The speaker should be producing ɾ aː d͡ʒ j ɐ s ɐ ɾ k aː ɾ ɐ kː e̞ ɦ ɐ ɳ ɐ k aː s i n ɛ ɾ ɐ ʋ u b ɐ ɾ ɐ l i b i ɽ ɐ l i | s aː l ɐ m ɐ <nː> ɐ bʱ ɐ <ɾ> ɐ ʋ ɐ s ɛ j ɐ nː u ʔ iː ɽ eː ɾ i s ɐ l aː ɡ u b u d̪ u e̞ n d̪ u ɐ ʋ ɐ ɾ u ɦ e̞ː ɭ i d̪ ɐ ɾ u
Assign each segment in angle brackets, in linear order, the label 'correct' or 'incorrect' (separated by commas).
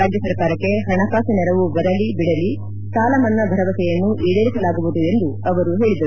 correct, correct